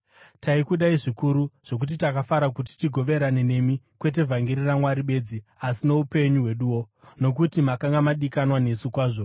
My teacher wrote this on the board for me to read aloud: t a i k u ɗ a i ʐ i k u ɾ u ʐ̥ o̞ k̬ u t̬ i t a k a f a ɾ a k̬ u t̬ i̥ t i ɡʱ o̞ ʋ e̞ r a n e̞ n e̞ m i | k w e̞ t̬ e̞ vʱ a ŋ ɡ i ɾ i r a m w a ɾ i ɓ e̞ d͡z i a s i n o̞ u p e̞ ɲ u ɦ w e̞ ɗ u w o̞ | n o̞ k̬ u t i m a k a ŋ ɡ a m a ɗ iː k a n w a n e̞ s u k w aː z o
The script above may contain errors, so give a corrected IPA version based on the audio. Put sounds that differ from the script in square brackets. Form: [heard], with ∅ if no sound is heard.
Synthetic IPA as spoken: t a i k u ɗ a i ʐ i k u ɾ u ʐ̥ o̞ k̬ u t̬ i t a k a f a ɾ a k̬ u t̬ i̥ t i ɡʱ o̞ ʋ e̞ [ɾ] a n e̞ n e̞ m i | k w e̞ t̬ e̞ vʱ a ŋ ɡ i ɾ i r a m w a ɾ i ɓ e̞ d͡z i a s i n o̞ u p e̞ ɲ u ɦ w e̞ ɗ u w o̞ | n o̞ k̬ u t i m a k a ŋ ɡ a m a ɗ [i] k a n w a n e̞ s u k w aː [ʐ] o